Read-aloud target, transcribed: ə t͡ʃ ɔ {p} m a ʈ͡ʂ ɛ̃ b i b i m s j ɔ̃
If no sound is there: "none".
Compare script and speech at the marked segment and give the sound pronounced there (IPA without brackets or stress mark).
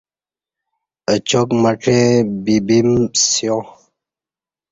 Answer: k